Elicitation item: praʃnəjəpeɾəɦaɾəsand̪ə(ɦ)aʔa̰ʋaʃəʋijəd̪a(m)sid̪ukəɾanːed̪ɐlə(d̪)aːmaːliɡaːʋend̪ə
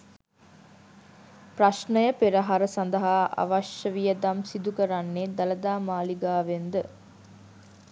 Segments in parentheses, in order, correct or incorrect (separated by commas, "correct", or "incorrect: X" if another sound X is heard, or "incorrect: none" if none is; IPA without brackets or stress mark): correct, correct, correct